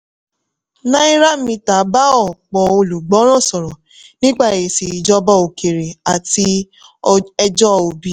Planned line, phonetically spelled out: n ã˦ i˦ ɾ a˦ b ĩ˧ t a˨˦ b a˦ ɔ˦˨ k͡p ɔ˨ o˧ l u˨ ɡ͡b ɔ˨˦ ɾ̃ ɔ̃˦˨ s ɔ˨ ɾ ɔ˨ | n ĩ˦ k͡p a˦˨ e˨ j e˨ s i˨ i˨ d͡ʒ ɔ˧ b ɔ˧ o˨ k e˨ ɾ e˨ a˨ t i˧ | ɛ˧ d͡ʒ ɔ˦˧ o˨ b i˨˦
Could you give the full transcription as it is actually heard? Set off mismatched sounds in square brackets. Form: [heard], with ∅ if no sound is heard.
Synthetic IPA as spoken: n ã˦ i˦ ɾ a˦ [m] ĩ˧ t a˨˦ b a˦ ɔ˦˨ k͡p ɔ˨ o˧ l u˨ ɡ͡b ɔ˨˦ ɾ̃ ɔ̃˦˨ s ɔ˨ ɾ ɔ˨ | n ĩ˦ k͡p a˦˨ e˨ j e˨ s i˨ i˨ d͡ʒ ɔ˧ b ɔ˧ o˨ k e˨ ɾ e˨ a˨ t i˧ | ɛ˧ d͡ʒ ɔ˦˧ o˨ b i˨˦